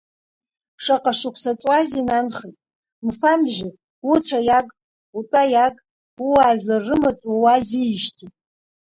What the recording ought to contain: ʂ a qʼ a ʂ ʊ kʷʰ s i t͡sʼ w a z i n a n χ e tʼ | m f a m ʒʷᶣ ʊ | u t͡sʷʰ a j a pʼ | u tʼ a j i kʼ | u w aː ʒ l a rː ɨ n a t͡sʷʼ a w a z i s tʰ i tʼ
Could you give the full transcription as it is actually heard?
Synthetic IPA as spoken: ʂ a qʼ a ʂ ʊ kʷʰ s a t͡sʼ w a z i n a n χ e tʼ | m f a m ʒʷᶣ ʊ | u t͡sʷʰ a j a kʼ | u tʼ a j a kʼ | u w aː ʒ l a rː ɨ m a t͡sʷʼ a w a z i ʃ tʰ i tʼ